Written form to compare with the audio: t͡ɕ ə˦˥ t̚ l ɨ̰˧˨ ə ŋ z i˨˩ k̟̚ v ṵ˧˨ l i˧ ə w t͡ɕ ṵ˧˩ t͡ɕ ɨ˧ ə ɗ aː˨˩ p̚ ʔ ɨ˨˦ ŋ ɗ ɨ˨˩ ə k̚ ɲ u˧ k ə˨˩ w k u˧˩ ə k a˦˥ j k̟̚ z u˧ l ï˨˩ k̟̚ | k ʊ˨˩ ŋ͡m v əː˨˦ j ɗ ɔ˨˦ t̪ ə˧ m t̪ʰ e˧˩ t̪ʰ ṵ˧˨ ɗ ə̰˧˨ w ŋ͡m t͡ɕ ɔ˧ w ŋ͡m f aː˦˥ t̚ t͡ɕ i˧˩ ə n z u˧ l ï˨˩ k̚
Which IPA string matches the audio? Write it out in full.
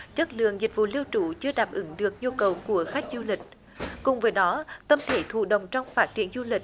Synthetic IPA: t͡ɕ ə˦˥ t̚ l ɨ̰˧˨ ə ŋ z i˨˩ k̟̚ v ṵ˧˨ l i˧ ə w t͡ɕ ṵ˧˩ t͡ɕ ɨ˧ ə ɗ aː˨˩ p̚ ʔ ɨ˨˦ ŋ ɗ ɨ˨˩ ə k̚ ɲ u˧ k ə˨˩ w k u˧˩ ə x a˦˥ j k̟̚ z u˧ l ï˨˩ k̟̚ | k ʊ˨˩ ŋ͡m v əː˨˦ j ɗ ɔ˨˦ t̪ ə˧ m t̪ʰ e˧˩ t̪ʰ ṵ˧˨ ɗ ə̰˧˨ w ŋ͡m t͡ɕ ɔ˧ w ŋ͡m f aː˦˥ t̚ t͡ɕ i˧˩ ə n z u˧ l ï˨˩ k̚

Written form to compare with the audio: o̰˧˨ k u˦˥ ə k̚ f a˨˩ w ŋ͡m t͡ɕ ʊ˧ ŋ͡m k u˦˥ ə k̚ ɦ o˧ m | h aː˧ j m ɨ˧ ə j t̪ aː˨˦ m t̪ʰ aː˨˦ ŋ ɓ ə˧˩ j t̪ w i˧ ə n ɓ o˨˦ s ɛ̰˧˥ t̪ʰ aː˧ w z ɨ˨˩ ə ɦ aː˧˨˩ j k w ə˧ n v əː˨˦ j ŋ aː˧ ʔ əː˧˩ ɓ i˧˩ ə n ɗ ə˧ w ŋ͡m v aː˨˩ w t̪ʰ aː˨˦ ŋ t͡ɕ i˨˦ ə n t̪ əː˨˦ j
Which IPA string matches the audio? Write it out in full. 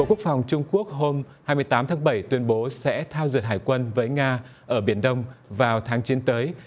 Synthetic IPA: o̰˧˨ k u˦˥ ə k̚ f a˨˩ w ŋ͡m t͡ɕ ʊ˧ ŋ͡m k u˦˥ ə k̚ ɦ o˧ m | h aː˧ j m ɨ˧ ə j t̪ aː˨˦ m t̪ʰ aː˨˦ ŋ ɓ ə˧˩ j t̪ w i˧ ə n ɓ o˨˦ s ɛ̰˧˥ t̪ʰ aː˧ w z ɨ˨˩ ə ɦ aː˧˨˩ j k w ə˧ n v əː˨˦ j ŋ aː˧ ʔ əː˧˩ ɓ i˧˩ ə n ɗ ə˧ w ŋ͡m v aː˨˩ w t̪ʰ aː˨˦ ŋ t͡ɕ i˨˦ ə n t̪ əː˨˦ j

